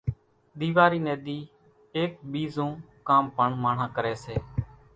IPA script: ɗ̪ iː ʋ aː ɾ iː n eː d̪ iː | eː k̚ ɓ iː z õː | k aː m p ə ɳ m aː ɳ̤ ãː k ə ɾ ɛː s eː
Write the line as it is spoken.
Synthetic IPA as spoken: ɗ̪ iː ʋ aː ɾ iː n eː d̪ iː | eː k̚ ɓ iː z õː | k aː m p ə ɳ m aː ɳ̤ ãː k ə ɾ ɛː s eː

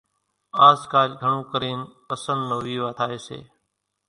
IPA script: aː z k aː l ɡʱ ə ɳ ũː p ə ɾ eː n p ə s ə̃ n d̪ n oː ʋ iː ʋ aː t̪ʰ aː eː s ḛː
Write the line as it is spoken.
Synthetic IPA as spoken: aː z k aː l ɡʱ ə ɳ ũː k ə ɾ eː n p ə s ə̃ n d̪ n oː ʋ iː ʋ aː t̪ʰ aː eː s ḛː

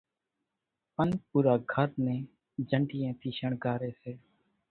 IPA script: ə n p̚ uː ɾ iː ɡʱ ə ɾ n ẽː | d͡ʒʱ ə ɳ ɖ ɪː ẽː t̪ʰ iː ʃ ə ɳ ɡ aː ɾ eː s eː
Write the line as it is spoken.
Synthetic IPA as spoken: ə n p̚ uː ɾ aː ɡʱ ə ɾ n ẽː | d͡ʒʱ ə ɳ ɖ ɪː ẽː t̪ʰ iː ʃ ə ɳ ɡ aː ɾ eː s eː

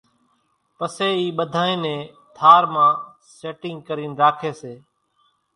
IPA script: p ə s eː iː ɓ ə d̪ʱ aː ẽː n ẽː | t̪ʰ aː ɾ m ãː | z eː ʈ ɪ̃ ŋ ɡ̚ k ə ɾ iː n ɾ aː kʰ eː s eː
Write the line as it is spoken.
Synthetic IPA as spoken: p ə s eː iː ɓ ə d̪ʱ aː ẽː n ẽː | t̪ʰ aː ɾ m ãː | s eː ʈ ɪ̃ ŋ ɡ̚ k ə ɾ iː n ɾ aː kʰ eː s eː

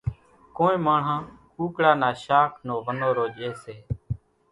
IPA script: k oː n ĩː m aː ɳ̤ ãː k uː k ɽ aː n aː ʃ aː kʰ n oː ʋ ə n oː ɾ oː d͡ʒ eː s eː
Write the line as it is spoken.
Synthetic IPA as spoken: k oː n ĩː m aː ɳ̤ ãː k uː k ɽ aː n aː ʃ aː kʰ n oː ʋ ə n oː ɾ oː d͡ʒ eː s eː

